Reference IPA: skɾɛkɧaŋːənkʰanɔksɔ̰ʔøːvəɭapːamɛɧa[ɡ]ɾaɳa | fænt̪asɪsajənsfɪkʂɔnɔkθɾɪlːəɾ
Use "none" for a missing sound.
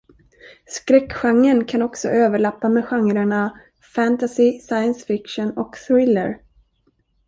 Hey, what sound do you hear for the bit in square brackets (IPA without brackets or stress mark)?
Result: ŋ